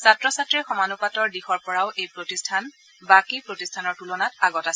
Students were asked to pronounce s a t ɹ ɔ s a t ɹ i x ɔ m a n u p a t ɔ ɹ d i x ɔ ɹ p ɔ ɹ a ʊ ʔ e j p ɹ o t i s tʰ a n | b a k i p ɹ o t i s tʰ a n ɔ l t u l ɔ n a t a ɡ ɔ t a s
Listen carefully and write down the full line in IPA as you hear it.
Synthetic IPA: s a t ɹ ɔ s a t ɹ i x ɔ m a n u p a t ɔ ɹ d i x ɔ ɹ p ɔ ɹ a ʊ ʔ e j p ɹ o t i s tʰ a n | b a k i p ɹ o t i s tʰ a n ɔ ɹ t u l ɔ n a t a ɡ ɔ t a s